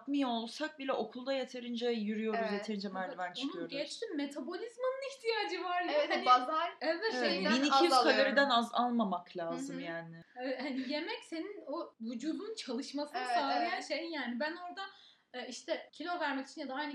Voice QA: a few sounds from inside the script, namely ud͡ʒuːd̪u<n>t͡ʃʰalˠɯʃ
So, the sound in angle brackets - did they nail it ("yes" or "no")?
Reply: yes